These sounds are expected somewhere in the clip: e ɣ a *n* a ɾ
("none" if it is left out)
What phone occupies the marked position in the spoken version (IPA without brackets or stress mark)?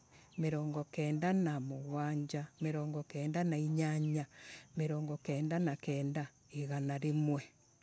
n